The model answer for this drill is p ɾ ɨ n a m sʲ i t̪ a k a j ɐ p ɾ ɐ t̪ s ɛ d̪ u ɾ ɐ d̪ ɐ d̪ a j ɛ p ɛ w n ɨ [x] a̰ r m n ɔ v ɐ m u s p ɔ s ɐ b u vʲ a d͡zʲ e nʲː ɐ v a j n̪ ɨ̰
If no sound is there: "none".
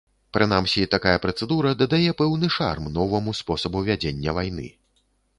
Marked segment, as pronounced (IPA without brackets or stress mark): ʂ